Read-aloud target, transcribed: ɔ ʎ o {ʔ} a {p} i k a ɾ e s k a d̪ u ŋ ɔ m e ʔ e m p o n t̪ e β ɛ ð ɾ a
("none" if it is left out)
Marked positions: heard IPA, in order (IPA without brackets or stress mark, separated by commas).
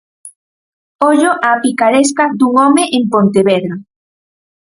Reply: ʔ, p